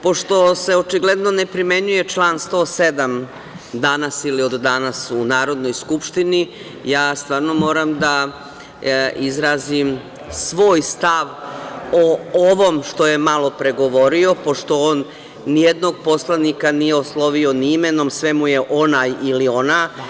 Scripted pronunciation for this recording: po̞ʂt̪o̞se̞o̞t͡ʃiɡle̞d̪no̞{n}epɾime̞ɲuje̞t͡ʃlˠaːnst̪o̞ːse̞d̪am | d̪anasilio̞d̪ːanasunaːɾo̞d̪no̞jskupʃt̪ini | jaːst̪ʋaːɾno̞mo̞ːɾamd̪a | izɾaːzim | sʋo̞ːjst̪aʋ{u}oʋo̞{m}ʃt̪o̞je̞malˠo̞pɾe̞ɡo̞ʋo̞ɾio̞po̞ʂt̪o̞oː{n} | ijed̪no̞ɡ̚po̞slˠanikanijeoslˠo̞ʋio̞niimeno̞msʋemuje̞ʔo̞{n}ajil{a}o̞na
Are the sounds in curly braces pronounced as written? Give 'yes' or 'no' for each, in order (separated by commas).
yes, no, yes, no, yes, no